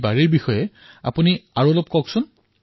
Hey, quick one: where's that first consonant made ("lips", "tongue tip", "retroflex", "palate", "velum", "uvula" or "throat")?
lips